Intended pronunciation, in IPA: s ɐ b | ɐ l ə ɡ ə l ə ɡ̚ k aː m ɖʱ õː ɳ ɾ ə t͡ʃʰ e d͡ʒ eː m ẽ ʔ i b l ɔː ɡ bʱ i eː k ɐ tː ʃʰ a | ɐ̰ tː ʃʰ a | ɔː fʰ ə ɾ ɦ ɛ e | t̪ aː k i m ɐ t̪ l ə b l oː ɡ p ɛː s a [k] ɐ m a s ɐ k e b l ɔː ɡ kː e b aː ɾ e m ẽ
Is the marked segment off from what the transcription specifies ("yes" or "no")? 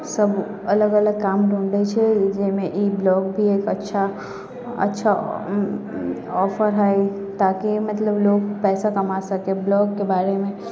no